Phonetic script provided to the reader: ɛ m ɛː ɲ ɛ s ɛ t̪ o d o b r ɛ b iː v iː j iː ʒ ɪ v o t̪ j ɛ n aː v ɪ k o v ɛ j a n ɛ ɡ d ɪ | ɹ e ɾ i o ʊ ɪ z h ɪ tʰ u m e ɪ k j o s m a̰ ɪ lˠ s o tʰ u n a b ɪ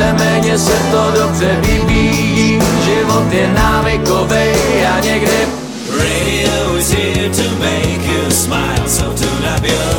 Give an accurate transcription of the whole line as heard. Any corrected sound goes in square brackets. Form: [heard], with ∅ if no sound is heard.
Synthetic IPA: ɛ m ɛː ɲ ɛ s ɛ t̪ o d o b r ɛ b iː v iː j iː ʒ ɪ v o t̪ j ɛ n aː v ɪ k o v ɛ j a [ɲ] ɛ ɡ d ɪ | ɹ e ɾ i o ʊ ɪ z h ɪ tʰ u m e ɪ k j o s m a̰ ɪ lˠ s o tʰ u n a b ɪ